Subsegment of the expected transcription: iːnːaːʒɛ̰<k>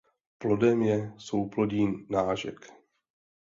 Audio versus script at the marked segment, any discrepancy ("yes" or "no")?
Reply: no